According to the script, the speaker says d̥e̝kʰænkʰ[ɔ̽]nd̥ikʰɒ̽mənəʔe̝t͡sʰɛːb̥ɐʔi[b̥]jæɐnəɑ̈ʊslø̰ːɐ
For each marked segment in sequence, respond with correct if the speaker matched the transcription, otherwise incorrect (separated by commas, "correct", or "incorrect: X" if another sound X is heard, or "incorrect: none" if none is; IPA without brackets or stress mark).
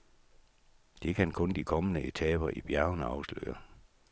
correct, correct